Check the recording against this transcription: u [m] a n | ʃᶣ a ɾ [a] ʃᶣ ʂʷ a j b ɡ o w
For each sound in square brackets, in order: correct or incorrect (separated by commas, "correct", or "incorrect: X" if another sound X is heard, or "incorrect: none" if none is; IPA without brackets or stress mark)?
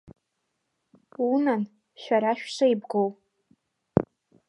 incorrect: n, correct